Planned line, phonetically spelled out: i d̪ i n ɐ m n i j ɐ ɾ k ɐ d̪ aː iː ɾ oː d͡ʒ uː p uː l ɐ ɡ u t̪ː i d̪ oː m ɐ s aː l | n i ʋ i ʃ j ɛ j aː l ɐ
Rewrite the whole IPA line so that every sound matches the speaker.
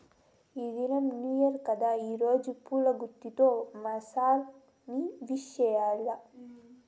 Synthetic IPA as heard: i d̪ i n ɐ m n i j ɐ ɾ k ɐ d̪ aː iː ɾ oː d͡ʒ u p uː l ɐ ɡ u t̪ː i t̪ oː m ɐ s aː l | n i ʋ i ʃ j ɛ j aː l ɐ